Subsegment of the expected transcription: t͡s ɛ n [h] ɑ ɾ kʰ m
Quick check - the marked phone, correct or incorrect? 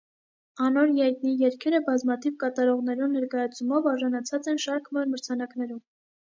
incorrect